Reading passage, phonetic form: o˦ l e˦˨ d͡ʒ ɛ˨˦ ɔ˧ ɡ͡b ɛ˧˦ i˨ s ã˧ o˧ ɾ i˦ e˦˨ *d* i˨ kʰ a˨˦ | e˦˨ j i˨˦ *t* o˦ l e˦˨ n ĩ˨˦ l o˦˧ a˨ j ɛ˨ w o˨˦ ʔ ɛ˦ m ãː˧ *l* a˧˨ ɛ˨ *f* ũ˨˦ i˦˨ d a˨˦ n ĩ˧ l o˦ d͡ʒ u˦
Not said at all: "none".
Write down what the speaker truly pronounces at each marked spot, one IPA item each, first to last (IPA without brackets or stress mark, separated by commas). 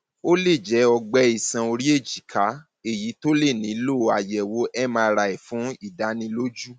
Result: d͡ʒ, t, ɾ, f